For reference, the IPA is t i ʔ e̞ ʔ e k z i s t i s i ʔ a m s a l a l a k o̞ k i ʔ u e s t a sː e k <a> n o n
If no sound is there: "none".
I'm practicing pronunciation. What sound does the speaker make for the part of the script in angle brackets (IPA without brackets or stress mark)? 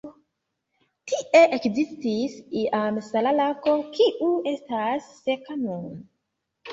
a